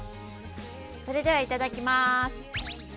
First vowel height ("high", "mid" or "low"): mid